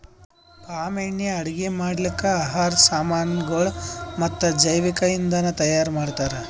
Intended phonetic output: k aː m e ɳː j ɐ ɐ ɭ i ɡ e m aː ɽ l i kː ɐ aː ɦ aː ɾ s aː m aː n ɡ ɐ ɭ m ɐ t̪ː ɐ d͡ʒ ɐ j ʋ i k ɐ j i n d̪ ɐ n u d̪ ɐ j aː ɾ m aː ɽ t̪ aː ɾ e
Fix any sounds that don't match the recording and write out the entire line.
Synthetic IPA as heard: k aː m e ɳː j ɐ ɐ ɽ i ɡ e m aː ɽ l i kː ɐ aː ɦ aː ɾ s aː m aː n ɡ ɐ ɭ m ɐ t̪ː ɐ d͡ʒ ɐ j ʋ i k ɐ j i n d̪ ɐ n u t̪ ɐ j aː ɾ m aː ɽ t̪ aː ɾ e